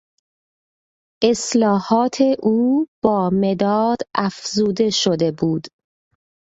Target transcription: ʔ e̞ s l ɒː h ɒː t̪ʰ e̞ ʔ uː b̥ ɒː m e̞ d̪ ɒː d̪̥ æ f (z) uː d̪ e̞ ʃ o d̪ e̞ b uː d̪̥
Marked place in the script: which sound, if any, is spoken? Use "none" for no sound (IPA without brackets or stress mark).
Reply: z